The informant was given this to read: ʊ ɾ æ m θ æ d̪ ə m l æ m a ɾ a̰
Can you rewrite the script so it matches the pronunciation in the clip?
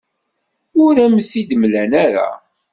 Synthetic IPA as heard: ʊ ɾ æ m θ i d̪ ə m l æ n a ɾ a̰

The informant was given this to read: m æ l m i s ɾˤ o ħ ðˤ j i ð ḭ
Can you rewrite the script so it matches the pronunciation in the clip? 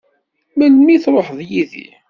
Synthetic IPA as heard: m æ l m i θ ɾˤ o ħ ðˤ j i ð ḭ

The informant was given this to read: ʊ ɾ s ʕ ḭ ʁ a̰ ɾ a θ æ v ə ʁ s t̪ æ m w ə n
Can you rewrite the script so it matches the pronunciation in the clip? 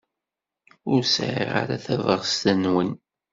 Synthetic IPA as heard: ʊ ɾ s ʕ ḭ ʁ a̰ ɾ a θ æ v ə ʁ s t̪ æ n w ə n

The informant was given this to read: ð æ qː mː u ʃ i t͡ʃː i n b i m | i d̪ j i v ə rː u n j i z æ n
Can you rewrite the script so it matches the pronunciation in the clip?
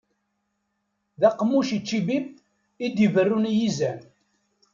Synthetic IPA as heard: ð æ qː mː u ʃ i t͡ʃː i b i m | i d̪ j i v ə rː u n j i z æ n

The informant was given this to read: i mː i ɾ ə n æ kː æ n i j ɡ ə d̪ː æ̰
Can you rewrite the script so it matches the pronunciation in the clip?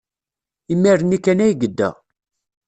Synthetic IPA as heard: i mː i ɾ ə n i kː æ n æ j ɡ ə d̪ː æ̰

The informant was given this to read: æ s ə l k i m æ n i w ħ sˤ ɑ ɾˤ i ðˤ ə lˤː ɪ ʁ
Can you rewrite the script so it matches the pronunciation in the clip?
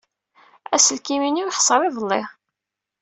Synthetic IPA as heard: æ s ə l k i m i n i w ħ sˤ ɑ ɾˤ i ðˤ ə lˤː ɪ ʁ

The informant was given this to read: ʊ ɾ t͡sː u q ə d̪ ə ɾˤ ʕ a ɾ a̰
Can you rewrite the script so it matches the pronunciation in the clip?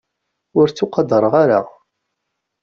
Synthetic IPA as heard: ʊ ɾ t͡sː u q ɑ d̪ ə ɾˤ ʁ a ɾ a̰

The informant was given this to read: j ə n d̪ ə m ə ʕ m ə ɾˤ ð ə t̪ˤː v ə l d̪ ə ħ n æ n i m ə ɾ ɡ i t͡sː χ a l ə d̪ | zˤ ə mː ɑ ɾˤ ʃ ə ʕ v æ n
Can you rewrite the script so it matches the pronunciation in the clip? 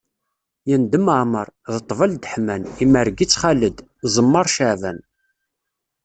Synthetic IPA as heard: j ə n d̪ ə m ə ʕ m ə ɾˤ ð ə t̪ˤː v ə l d̪ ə ħ m æ n i m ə ɾ ɡ i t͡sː χ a l ə d̪ | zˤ ə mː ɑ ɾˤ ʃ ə ʕ v æ n

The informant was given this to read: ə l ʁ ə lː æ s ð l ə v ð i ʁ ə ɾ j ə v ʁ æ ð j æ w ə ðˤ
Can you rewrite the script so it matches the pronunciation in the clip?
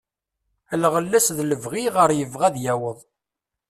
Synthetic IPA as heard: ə l ʁ ə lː æ s ð l ə v ʁ i ʁ ə ɾ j ə v ʁ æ ð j æ w ə ðˤ

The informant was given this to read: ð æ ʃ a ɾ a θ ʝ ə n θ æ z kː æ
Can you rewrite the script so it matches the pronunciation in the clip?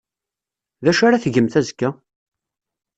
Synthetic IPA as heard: ð æ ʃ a ɾ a θ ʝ ə m θ æ z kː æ

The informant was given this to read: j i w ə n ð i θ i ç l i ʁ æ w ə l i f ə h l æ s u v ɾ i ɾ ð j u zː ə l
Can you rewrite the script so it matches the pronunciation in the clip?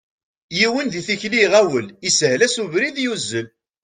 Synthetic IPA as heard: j i w ə n ð i θ i ç l i ʁ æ w ə l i s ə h l æ s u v ɾ i ð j u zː ə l

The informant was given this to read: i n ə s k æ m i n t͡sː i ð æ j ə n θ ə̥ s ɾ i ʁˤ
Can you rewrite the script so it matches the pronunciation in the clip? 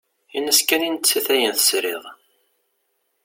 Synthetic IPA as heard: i n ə s k æ n i n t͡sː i θ æ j ə n θ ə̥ s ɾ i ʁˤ

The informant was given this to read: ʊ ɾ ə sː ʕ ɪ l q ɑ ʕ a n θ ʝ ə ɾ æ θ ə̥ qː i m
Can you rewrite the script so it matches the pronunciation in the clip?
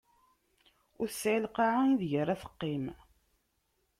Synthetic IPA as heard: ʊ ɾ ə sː ʕ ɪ l q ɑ ʕ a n ð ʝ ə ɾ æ θ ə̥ qː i m

